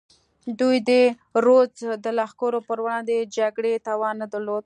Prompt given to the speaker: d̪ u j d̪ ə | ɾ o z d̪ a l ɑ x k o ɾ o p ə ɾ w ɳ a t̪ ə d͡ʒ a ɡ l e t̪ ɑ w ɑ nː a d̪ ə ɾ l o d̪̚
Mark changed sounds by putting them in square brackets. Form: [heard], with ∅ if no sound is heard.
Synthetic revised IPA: d̪ u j d̪ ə | ɾ o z d̪ [ə] l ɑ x k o ɾ o p ə ɾ w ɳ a [d̪] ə d͡ʒ a ɡ [ɽ] e t̪ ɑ w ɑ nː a d̪ ə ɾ l o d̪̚